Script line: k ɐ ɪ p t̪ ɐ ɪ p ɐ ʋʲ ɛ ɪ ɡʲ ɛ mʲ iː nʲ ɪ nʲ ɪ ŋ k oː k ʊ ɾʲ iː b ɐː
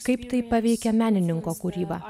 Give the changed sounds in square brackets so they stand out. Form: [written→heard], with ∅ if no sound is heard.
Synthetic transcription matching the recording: k ɐ ɪ p t̪ ɐ ɪ p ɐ ʋʲ ɛ ɪ [ɡʲ→kʲ] ɛ mʲ [iː→æː] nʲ ɪ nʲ ɪ ŋ k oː k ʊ ɾʲ iː b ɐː